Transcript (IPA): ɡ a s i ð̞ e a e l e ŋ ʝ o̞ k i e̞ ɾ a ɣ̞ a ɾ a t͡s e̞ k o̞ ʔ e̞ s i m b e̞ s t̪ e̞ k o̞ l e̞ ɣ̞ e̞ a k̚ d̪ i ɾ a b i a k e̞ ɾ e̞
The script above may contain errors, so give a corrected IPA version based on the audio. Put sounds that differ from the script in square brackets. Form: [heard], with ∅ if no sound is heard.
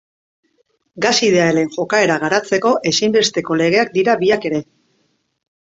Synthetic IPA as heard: ɡ a s i ð̞ e a e l e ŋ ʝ o̞ k [a] e̞ ɾ a ɣ̞ a ɾ a t͡s e̞ k o̞ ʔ e̞ s i m b e̞ s t̪ e̞ k o̞ l e̞ ɣ̞ e̞ a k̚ d̪ i ɾ a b i a k e̞ ɾ e̞